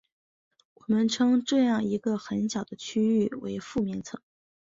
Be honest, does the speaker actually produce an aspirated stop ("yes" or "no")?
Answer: yes